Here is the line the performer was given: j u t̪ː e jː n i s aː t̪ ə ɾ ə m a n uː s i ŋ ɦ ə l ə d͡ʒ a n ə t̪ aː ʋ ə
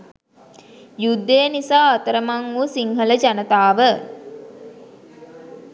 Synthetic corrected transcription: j u d̪ː e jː n i s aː t̪ ə ɾ ə m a ŋ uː s i ŋ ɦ ə l ə d͡ʒ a n ə t̪ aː ʋ ə